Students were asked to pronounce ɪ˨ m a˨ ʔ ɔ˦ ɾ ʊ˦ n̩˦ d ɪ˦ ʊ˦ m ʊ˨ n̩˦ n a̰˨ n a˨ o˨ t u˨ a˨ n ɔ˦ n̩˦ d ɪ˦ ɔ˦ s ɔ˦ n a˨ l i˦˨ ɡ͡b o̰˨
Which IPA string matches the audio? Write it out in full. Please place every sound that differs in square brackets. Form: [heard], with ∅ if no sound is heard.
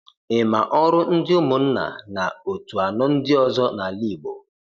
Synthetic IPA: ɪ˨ m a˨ ʔ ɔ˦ ɾ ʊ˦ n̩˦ d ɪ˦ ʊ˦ m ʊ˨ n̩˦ n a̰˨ n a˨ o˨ t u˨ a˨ n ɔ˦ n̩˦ d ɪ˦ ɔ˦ [z] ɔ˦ n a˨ l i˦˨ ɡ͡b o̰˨